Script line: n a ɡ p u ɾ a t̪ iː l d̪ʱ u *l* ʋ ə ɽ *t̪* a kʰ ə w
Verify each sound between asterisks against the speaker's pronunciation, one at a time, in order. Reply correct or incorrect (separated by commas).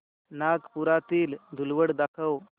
correct, incorrect